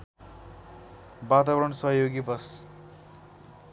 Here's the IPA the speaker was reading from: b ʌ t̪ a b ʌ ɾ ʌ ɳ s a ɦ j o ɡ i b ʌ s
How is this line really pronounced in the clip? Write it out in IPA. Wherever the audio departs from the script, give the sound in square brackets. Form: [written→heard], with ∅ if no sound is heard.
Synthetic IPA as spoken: b [ʌ→a] t̪ a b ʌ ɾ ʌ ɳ s [a→ʌ] ɦ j o ɡ i b ʌ s